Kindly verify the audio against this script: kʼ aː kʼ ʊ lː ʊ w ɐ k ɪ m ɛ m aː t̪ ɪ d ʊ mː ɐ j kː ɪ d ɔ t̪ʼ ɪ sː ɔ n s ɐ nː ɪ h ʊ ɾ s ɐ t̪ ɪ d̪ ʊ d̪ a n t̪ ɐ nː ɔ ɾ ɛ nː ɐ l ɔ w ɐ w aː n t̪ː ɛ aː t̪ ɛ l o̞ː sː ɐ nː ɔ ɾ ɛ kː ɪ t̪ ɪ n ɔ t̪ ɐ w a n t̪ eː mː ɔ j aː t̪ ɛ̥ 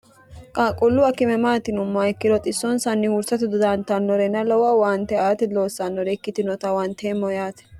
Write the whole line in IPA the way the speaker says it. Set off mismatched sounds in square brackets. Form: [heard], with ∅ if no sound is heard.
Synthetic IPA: kʼ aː kʼ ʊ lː ʊ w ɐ k ɪ m ɛ m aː t̪ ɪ [n] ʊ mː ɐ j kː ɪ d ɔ t̪ʼ ɪ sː ɔ n s ɐ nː ɪ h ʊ ɾ s ɐ t̪ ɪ d̪ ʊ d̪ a n t̪ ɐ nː ɔ ɾ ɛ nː ɐ l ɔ w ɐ w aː n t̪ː ɛ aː t̪ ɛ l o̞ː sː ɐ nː ɔ ɾ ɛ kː ɪ t̪ ɪ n ɔ t̪ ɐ w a n t̪ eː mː ɔ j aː t̪ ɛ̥